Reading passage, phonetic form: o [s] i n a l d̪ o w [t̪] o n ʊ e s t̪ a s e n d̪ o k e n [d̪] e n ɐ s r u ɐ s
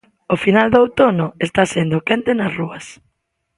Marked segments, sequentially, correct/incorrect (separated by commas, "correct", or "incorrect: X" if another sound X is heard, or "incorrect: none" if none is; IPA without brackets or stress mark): incorrect: f, correct, incorrect: t̪